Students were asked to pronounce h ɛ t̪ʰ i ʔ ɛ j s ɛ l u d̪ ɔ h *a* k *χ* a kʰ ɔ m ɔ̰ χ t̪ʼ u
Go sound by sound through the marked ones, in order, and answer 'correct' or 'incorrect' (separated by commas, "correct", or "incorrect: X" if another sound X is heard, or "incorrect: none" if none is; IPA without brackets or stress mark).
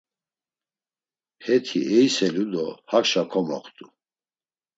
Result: correct, incorrect: ʃ